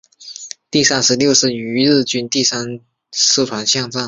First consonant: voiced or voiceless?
voiceless